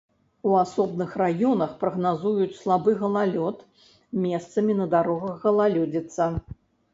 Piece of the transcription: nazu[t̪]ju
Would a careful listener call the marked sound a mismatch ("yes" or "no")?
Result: yes